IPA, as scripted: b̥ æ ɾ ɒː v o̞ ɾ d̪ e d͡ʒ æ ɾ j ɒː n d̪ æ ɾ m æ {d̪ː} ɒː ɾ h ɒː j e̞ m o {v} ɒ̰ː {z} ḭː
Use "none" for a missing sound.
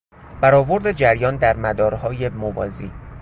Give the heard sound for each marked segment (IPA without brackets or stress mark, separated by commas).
d̪, v, z